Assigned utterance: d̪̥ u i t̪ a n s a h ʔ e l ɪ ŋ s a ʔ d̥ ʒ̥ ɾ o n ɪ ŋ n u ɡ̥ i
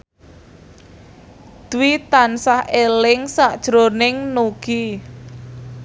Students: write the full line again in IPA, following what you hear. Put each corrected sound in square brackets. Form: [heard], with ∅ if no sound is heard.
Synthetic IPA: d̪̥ [w] i t̪ a n s a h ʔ e l ɪ ŋ s a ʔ d̥ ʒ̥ ɾ o n ɪ ŋ n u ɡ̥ i